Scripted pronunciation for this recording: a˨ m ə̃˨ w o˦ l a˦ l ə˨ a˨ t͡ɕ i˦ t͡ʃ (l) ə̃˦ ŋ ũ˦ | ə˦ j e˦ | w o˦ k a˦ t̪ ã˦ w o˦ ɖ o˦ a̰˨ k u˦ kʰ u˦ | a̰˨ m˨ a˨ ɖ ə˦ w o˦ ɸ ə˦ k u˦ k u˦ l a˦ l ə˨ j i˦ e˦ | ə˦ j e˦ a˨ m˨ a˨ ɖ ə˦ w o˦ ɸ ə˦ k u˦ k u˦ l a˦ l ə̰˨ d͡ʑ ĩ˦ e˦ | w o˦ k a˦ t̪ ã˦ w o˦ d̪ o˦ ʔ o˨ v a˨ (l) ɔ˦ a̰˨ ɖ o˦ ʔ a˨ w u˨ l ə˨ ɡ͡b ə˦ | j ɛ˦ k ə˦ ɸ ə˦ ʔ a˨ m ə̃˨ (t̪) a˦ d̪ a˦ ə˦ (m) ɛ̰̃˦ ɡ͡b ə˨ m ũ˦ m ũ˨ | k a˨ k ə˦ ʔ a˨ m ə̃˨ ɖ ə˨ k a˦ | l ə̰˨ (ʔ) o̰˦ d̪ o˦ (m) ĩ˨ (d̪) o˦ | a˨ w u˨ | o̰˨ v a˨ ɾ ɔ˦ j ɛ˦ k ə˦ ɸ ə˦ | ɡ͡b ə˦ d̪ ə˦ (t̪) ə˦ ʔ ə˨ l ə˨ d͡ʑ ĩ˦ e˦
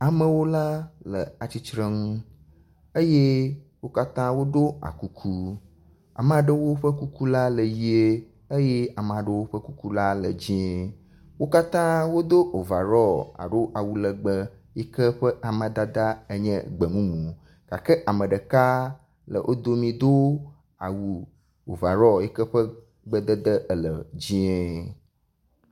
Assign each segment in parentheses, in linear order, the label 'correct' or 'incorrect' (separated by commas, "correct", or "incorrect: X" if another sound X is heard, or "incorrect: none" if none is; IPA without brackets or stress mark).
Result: incorrect: ɾ, incorrect: ɾ, incorrect: d̪, incorrect: ɲ, correct, correct, correct, incorrect: d̪